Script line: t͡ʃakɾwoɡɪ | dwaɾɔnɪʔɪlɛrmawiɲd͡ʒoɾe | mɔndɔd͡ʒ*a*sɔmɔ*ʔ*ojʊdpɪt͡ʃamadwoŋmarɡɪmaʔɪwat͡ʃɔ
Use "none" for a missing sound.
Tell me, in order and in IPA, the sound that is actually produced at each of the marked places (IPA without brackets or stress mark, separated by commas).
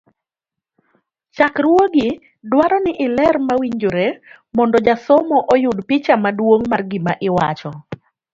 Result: a, ʔ